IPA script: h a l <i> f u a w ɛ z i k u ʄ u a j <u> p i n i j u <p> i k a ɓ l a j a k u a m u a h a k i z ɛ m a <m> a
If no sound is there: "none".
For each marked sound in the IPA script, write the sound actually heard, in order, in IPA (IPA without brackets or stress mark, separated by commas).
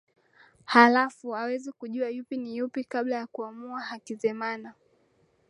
a, u, p, n